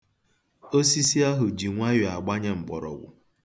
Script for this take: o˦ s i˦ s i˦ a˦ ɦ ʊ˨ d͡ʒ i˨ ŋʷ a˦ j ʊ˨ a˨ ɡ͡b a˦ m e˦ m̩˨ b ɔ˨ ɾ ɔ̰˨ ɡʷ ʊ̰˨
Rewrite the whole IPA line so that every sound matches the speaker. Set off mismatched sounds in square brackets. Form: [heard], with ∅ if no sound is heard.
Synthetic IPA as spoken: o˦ s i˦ s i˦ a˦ ɦ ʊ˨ d͡ʒ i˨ ŋʷ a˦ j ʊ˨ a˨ ɡ͡b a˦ [ɲ] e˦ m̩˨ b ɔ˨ ɾ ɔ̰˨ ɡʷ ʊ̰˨